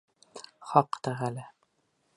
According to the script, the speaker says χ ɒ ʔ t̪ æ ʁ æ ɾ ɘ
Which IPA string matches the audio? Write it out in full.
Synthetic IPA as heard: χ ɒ q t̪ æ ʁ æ l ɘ